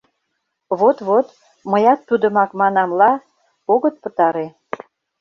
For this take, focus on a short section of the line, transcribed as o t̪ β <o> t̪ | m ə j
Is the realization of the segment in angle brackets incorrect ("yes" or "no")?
no